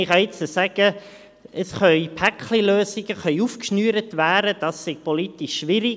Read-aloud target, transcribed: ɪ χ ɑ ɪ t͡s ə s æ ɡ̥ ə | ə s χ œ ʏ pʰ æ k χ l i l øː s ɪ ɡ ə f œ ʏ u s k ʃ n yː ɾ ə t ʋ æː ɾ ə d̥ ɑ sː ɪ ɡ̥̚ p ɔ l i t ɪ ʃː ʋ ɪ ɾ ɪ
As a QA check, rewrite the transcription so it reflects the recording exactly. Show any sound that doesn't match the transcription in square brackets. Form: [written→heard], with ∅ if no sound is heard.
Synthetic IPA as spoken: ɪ χ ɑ ɪ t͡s ə s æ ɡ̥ ə | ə s χ œ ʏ pʰ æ k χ l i l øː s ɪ ɡ ə [f→χ] œ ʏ u [s→f] k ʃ n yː ɾ ə t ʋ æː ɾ ə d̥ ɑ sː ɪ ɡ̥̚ p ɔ l i t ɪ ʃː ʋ ɪ ɾ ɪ